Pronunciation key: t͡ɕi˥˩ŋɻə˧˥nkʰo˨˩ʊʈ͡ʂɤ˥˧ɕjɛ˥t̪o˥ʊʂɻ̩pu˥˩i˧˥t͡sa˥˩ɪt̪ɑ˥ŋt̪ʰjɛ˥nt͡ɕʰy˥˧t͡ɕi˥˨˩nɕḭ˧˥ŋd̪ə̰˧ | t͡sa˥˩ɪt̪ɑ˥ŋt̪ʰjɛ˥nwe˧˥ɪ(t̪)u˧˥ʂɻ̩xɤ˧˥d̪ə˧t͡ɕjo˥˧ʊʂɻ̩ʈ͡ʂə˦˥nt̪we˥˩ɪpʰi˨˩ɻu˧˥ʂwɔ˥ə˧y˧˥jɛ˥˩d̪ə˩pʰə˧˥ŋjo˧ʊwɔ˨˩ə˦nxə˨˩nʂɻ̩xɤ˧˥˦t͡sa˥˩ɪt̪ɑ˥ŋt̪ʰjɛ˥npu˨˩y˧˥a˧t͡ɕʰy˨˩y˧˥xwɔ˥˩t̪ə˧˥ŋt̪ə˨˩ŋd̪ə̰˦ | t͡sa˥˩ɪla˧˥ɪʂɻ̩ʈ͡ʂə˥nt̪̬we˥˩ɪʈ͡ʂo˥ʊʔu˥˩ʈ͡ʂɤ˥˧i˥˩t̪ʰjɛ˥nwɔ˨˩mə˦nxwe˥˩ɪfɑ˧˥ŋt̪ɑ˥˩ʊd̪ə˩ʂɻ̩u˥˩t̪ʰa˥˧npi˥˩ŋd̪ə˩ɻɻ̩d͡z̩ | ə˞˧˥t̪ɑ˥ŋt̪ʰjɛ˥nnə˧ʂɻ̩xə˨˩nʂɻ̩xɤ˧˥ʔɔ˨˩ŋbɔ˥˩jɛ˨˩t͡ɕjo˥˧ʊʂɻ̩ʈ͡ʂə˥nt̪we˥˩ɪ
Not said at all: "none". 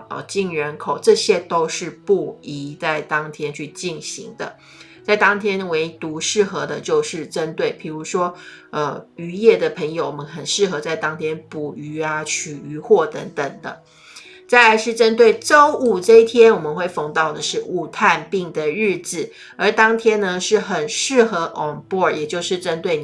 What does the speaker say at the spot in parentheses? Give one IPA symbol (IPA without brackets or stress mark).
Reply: t̪